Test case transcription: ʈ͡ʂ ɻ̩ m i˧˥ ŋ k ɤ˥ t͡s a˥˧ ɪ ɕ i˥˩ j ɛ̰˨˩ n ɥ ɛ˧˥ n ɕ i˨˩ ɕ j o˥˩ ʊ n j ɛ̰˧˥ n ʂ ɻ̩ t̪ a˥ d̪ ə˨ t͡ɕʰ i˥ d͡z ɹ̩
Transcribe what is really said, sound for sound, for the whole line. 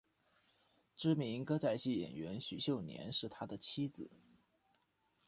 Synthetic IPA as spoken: ʈ͡ʂ ɻ̩ m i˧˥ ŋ k ɤ˥ t͡s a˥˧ ɪ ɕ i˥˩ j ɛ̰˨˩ n ɥ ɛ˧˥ n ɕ y˨˩ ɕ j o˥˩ ʊ n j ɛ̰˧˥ n ʂ ɻ̩ t̪ʰ a˥ d̪ ə˨ t͡ɕʰ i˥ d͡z ɹ̩

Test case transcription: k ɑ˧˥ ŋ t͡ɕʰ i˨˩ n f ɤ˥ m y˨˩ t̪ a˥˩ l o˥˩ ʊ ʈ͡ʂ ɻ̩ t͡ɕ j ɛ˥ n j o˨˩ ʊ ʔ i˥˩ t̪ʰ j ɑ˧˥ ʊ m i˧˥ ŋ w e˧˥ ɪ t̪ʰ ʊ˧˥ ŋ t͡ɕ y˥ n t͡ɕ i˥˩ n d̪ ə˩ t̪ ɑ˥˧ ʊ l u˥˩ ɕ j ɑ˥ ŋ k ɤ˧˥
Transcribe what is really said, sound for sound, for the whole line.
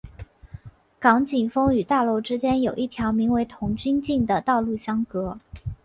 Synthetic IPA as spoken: k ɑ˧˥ ŋ t͡ɕ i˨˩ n f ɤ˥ ŋ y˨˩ t̪ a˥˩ l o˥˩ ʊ ʈ͡ʂ ɻ̩ t͡ɕ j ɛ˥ n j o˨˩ ʊ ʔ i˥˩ t̪ʰ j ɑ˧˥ ʊ m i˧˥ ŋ w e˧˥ ɪ t̪ʰ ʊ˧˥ ŋ t͡ɕ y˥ n t͡ɕ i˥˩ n d̪ ə˩ t̪ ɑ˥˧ ʊ l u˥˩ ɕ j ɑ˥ ŋ k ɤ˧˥

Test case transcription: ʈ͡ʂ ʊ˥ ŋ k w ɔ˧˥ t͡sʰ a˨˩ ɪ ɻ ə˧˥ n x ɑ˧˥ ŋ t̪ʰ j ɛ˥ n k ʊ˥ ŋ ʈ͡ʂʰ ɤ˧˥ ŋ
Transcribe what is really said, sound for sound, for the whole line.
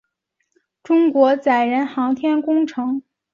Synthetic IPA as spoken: ʈ͡ʂ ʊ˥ ŋ k w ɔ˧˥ t͡s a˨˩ ɪ ɻ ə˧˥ n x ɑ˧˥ ŋ t̪ʰ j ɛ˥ n k ʊ˥ ŋ ʈ͡ʂʰ ɤ˧˥ ŋ

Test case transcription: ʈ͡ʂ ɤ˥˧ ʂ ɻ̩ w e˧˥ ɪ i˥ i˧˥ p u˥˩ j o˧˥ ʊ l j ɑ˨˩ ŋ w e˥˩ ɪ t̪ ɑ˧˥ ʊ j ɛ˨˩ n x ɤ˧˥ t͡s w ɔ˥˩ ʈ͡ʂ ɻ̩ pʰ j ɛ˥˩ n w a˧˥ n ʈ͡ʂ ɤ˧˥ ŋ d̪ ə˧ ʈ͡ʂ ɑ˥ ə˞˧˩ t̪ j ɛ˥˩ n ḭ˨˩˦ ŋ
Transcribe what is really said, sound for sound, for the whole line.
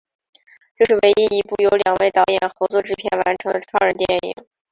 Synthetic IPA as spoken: ʈ͡ʂ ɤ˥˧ ʂ ɻ̩ w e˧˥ ɪ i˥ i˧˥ p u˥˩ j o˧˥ ʊ l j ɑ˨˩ ŋ w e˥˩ ɪ t̪ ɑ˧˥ ʊ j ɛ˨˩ n x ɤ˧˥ t͡s w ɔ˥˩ ʈ͡ʂ ɻ̩ pʰ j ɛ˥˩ n w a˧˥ n ʈ͡ʂʰ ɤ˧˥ ŋ d̪ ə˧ ʈ͡ʂʰ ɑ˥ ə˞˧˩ t̪ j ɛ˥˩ n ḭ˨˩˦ ŋ

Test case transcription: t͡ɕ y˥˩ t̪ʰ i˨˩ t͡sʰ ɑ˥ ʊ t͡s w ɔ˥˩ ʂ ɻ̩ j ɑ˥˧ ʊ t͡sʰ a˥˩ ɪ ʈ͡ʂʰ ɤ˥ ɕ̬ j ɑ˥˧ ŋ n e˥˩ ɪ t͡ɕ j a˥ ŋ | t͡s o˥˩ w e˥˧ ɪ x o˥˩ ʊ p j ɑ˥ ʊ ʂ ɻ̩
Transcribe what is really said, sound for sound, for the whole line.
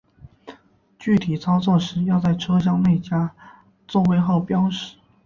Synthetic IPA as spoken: t͡ɕ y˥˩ t̪ʰ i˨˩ t͡sʰ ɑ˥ ʊ t͡s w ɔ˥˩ ʂ ɻ̩ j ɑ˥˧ ʊ t͡s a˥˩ ɪ ʈ͡ʂʰ ɤ˥ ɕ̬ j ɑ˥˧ ŋ n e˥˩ ɪ t͡ɕ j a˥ | t͡s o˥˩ w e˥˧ ɪ x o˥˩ ʊ p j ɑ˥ ʊ ʂ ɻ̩

